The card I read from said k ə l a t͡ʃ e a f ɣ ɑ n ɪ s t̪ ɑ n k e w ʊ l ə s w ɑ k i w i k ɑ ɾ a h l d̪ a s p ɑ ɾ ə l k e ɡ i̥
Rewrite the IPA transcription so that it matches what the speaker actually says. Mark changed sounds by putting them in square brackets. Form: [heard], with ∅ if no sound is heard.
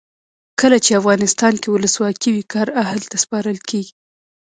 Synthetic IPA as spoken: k ə l a t͡ʃ e a f ɣ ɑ n ɪ s t̪ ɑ n k e w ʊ l ə s w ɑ k i w i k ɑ ɾ a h l [t̪] a s p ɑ ɾ ə l k e ɡ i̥